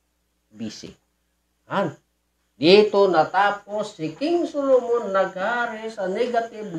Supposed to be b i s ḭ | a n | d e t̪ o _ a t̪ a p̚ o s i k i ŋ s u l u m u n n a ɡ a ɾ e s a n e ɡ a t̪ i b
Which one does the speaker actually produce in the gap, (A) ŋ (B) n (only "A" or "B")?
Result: B